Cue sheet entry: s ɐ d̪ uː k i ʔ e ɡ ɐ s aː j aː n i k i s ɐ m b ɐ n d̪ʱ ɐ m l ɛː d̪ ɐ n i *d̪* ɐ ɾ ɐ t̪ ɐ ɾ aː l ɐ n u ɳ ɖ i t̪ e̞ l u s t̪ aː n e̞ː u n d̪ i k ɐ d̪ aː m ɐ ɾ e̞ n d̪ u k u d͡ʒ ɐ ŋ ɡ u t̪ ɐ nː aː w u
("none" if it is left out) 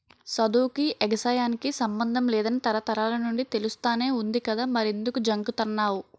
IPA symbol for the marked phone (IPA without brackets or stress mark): t̪